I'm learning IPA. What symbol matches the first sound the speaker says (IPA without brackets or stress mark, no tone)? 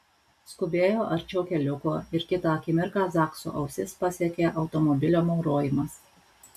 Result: s